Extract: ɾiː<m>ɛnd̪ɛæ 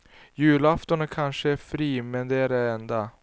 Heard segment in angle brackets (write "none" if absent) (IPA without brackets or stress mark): m